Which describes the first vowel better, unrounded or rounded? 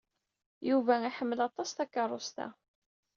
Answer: rounded